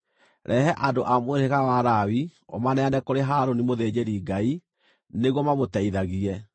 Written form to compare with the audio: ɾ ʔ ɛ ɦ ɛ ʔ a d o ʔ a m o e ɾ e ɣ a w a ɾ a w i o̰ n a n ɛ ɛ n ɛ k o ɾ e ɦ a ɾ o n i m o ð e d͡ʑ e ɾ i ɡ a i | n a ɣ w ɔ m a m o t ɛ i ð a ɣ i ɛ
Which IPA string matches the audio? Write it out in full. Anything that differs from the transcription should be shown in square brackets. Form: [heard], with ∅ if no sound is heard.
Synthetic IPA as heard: ɾ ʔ ɛ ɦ ɛ ʔ a d o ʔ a m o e ɾ e ɣ a w a ɾ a w i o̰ [m] a n ɛ [a] n ɛ k o ɾ e ɦ a ɾ o n i m o ð e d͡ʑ e ɾ i ɡ a i | n [e] ɣ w ɔ m a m o t ɛ i ð a ɣ i ɛ